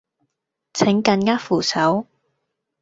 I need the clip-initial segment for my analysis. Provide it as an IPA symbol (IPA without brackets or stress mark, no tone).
t͡sʰ